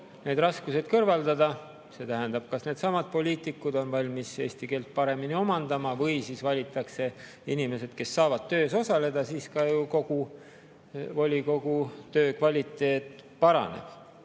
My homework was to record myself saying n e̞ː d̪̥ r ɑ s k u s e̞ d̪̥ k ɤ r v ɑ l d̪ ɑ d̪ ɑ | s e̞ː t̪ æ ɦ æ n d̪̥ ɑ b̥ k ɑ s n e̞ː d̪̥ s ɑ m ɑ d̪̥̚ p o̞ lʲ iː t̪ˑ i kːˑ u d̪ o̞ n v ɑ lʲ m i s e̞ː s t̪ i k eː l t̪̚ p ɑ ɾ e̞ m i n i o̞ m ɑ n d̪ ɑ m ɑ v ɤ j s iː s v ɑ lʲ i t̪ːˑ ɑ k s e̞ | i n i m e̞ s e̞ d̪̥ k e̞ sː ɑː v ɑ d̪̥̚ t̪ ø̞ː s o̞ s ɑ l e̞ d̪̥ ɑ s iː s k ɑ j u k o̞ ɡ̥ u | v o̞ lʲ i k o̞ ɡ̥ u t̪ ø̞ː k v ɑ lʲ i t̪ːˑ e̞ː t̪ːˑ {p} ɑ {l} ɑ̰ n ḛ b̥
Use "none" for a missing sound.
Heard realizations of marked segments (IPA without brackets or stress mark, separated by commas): p, ɾ